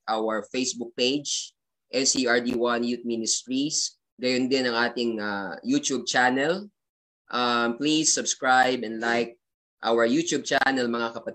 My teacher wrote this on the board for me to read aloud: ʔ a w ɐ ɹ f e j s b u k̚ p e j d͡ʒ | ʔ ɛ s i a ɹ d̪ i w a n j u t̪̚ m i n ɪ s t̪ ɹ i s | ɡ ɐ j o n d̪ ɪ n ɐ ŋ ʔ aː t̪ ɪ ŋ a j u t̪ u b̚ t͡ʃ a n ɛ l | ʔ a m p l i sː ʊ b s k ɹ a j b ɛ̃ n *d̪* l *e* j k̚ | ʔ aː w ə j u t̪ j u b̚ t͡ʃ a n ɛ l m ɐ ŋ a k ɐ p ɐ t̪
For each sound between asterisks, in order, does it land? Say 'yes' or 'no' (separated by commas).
yes, no